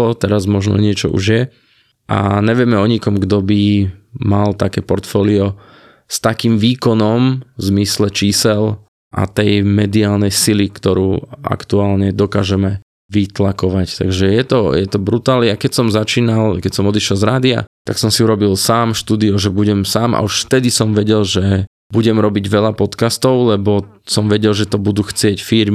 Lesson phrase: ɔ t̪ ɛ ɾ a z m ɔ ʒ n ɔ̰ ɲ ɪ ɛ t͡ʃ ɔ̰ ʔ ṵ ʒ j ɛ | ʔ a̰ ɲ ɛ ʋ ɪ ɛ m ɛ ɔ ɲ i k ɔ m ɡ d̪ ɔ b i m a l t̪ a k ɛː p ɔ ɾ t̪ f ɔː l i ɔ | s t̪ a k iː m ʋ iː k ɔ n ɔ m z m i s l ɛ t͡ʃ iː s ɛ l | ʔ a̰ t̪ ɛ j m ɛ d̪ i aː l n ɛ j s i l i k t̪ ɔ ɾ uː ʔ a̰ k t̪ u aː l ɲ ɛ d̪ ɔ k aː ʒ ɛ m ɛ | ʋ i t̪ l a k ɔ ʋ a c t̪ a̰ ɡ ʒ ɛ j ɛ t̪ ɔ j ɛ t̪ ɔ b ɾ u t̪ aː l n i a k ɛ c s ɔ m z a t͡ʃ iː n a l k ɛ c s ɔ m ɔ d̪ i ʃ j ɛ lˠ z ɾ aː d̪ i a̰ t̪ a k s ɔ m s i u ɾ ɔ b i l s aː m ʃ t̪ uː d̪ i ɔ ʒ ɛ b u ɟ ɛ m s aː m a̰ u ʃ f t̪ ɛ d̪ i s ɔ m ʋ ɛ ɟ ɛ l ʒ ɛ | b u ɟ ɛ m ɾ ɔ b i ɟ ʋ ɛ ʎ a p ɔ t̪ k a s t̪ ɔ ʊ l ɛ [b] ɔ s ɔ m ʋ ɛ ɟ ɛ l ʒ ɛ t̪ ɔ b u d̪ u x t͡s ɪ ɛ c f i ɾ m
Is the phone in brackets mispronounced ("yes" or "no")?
no